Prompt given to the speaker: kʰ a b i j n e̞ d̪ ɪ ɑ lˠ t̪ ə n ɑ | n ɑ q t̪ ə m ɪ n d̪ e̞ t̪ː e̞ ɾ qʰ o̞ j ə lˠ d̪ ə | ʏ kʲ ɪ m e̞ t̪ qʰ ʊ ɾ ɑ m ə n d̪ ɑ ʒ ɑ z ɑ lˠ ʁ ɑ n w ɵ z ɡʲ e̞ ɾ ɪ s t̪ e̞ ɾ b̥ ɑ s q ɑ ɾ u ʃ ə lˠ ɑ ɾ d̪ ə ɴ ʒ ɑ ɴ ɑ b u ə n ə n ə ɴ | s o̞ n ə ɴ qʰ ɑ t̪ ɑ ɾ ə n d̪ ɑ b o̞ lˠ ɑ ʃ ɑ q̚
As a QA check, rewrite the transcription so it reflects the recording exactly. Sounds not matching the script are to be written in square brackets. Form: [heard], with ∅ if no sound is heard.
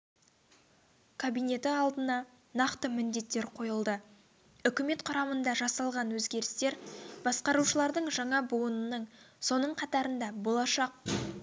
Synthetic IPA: kʰ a b i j n e̞ [t̪] ɪ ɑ lˠ [d̪] ə n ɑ | n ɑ q t̪ ə m ɪ n d̪ e̞ t̪ː e̞ ɾ qʰ o̞ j ə lˠ d̪ ə | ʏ kʲ ɪ m e̞ t̪ qʰ ʊ ɾ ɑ m ə n d̪ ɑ ʒ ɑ [s] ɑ lˠ ʁ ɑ n w ɵ z ɡʲ e̞ ɾ ɪ s t̪ e̞ ɾ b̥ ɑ s q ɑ ɾ u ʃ ə lˠ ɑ ɾ d̪ ə ɴ ʒ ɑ ɴ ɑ b u ə n ə n ə ɴ | s o̞ n ə ɴ qʰ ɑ t̪ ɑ ɾ ə n d̪ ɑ b o̞ lˠ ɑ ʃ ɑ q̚